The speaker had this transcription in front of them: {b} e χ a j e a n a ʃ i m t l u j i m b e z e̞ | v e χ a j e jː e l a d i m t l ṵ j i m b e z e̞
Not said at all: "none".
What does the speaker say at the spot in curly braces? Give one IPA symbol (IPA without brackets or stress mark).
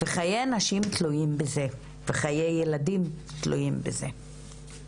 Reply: v